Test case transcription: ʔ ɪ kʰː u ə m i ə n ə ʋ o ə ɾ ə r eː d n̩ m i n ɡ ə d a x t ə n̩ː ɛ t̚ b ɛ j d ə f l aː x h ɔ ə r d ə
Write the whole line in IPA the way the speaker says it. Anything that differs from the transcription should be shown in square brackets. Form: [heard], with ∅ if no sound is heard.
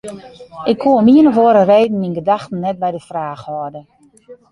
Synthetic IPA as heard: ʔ ɪ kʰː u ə m i ə n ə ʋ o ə ɾ ə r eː d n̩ m i n ɡ ə d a x t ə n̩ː ɛ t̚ b ɛ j d ə f [r] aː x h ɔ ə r d ə